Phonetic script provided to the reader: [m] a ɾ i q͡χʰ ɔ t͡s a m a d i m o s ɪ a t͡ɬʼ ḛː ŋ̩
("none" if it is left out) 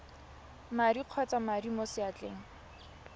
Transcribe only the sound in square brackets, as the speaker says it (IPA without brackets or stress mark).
m